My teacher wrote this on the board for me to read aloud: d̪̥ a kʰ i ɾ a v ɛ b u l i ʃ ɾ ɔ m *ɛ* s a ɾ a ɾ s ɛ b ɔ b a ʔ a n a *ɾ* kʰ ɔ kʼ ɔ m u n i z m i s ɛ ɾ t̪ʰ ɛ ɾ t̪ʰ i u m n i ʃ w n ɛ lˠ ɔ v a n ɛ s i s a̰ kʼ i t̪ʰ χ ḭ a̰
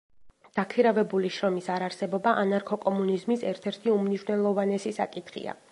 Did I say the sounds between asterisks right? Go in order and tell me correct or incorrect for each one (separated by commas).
incorrect, correct